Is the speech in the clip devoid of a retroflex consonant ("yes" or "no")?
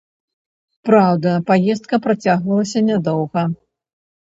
yes